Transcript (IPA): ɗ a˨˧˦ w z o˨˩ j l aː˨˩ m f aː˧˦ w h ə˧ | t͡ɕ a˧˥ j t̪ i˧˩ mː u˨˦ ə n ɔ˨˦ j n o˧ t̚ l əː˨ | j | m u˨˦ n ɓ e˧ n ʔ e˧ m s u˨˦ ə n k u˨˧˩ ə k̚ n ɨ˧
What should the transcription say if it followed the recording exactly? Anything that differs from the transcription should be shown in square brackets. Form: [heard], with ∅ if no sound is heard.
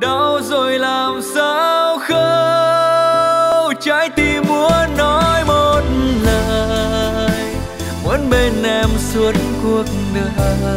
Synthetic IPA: ɗ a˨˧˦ w z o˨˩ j l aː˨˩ m [s] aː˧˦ w [x] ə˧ | t͡ɕ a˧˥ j t̪ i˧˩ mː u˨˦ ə n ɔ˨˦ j [m] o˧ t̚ l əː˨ | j | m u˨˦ n ɓ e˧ n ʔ [ɛ˧] m s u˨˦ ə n k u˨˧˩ ə k̚ n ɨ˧